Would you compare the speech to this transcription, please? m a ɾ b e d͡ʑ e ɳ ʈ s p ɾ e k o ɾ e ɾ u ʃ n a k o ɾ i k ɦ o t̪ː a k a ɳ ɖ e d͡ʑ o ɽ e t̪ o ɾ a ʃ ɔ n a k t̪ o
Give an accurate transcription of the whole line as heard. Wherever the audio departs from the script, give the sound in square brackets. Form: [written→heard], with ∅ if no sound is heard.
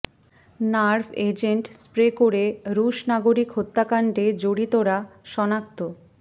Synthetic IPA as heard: [m→n] a ɾ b e d͡ʑ e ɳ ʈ s p ɾ e k o ɾ e ɾ u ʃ n a [k→ɡ] o ɾ i k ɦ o t̪ː a k a ɳ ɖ e d͡ʑ o ɽ [e→i] t̪ o ɾ a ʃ ɔ n a k t̪ o